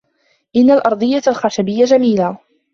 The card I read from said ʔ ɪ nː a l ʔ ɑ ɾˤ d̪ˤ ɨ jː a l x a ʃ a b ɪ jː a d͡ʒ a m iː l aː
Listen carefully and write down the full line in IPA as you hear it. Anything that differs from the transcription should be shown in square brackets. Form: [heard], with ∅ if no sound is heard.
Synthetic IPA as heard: ʔ ɪ nː a l ʔ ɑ ɾˤ d̪ˤ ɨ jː a l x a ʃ a b ɪ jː a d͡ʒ a m iː l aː